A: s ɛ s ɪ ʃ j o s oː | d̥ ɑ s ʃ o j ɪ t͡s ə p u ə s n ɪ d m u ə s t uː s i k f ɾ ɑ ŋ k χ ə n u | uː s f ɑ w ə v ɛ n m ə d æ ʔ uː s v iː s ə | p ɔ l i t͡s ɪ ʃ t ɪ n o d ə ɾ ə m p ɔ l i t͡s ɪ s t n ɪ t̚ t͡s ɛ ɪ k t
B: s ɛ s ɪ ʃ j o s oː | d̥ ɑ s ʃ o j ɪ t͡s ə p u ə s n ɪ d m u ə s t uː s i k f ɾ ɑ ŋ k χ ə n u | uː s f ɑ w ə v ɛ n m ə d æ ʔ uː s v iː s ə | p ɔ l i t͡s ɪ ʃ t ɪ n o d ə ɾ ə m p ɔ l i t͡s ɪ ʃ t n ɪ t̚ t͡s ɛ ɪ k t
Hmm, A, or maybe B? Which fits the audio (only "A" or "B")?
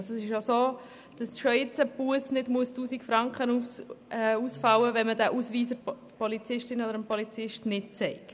B